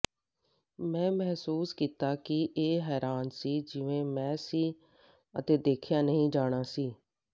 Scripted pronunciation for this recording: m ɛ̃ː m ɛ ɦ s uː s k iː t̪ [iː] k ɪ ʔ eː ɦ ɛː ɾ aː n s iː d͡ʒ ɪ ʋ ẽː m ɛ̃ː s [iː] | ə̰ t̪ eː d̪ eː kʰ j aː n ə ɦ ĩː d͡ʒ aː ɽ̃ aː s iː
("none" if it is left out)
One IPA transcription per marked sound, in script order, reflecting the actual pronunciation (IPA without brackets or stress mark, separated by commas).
aː, iː